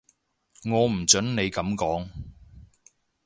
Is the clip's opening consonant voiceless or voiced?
voiced